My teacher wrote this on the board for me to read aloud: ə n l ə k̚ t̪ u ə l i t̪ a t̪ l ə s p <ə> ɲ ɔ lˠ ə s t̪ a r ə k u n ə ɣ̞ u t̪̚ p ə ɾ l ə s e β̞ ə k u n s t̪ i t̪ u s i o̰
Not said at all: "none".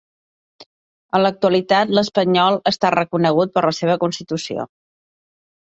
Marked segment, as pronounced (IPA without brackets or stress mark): ə